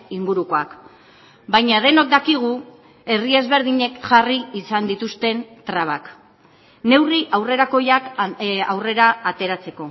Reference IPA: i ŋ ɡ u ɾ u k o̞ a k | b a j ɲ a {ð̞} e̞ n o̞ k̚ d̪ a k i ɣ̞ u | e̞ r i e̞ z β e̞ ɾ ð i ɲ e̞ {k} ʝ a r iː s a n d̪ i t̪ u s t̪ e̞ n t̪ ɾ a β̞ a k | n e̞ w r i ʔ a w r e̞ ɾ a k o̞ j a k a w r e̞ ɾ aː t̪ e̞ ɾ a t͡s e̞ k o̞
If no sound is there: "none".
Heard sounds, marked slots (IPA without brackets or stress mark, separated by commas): ð̞, k